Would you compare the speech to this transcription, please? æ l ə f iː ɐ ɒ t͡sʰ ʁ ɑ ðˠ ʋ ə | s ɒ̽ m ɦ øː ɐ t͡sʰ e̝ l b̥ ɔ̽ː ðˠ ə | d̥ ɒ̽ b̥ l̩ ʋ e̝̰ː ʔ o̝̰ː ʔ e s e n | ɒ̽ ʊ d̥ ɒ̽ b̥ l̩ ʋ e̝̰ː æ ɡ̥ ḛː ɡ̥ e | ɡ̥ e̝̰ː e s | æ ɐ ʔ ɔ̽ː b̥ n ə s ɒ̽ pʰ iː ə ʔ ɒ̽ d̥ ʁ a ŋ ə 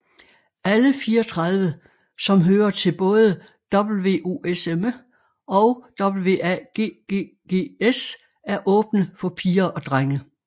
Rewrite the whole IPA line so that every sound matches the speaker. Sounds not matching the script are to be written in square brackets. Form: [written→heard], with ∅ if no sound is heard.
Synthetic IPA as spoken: æ l ə f iː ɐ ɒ t͡sʰ ʁ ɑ ðˠ ʋ ə | s ɒ̽ m ɦ øː ɐ t͡sʰ e̝ l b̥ ɔ̽ː ðˠ ə | d̥ ɒ̽ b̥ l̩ ʋ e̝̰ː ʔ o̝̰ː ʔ e s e [n→m] | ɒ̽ ʊ d̥ ɒ̽ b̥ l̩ ʋ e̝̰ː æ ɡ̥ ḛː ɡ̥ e | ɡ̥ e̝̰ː e s | æ ɐ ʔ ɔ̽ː b̥ n ə [s→f] ɒ̽ pʰ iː [ə→ɐ] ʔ ɒ̽ d̥ ʁ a ŋ ə